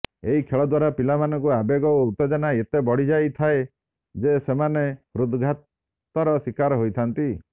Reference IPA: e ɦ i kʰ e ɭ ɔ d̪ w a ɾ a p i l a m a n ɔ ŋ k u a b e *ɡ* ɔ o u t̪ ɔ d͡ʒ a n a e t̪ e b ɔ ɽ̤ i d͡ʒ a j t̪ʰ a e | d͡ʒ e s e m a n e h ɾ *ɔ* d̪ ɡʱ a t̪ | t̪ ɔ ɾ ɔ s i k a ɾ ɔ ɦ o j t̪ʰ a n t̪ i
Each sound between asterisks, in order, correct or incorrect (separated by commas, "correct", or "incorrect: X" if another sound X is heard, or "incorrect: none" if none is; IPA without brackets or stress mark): correct, incorrect: u